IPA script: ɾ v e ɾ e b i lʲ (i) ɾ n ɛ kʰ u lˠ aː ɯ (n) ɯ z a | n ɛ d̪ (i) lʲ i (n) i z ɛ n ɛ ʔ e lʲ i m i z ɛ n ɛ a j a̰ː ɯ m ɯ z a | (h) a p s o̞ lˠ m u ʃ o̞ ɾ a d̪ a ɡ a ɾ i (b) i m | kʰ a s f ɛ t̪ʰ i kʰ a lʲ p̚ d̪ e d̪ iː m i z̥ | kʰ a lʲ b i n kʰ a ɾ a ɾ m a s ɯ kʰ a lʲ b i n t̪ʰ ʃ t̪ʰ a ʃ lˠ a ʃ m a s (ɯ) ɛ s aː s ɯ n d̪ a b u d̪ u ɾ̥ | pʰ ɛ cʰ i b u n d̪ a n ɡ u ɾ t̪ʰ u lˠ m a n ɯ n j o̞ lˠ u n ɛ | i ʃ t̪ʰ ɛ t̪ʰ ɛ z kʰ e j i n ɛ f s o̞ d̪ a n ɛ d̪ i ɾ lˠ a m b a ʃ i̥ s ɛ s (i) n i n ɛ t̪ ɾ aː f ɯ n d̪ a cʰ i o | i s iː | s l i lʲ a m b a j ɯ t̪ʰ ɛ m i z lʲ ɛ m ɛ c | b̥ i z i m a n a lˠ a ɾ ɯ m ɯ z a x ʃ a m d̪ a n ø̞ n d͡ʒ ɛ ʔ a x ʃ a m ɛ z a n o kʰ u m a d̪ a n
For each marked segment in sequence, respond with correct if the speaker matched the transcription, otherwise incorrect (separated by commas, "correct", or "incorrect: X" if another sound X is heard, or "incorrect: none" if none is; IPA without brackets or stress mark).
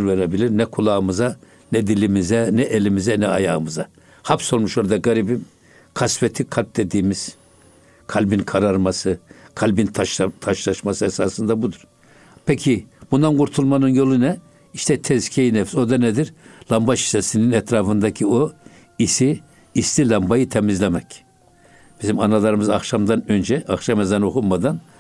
correct, incorrect: m, correct, incorrect: m, correct, correct, correct, correct